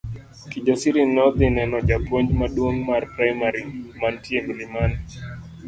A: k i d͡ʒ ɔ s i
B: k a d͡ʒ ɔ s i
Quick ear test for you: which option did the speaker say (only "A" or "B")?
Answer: A